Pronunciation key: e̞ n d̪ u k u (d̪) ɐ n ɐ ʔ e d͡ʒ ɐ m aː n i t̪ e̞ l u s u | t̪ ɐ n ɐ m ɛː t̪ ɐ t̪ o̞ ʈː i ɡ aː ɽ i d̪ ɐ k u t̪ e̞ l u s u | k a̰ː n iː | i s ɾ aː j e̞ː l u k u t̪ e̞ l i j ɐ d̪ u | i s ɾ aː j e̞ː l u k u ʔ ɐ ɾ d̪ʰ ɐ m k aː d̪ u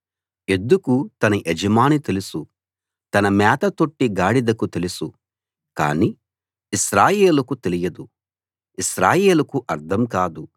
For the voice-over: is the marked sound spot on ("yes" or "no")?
no